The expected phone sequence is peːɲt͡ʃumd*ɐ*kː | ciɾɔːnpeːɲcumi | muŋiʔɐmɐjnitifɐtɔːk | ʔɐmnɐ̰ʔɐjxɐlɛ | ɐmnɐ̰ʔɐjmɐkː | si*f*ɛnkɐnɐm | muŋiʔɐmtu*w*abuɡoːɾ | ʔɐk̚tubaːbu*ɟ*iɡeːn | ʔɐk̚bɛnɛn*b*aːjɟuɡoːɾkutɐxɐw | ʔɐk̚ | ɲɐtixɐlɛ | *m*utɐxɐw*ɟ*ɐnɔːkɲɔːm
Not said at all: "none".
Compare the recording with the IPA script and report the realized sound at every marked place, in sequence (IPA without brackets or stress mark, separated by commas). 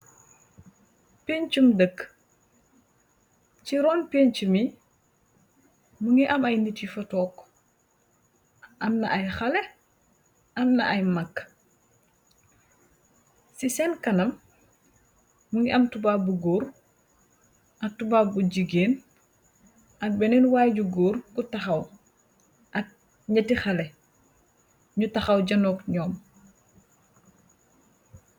ə, s, b, ɟ, w, ɲ, ɟ